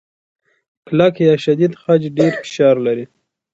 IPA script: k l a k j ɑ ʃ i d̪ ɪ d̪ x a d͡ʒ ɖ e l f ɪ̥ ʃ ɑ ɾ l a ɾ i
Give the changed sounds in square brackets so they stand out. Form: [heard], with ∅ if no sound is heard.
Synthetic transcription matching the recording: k l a k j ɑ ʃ [a] d̪ [i] d̪ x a d͡ʒ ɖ e [ɾ] f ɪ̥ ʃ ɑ ɾ l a ɾ i